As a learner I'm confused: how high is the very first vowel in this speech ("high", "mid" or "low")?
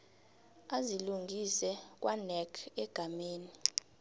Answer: low